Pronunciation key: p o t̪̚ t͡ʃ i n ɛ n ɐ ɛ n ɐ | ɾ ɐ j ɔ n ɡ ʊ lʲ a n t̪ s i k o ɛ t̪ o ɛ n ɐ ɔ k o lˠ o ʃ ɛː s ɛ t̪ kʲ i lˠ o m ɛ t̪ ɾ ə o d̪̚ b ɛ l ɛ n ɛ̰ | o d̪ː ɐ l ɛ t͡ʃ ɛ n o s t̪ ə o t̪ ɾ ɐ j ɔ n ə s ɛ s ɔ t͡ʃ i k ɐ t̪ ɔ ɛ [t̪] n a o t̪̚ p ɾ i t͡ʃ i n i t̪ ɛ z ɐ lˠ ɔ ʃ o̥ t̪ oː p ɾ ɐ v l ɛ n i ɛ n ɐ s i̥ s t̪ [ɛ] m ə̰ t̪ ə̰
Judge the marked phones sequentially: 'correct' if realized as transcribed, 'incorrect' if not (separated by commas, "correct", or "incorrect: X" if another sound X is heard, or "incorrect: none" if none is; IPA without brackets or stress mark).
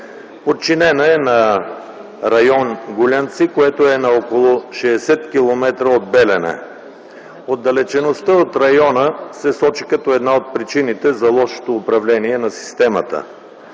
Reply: incorrect: d̪, correct